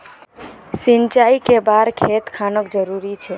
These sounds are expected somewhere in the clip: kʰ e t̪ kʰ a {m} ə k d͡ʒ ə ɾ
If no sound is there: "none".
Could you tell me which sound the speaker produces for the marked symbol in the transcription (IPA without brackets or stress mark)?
n